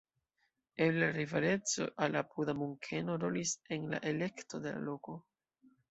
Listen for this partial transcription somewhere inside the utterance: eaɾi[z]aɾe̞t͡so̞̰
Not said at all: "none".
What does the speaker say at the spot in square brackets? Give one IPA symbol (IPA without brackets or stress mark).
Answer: v